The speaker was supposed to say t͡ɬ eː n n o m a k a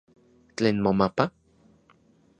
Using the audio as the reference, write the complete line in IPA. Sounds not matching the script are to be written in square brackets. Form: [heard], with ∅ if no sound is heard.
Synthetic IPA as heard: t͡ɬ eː n [m] o m a [p] a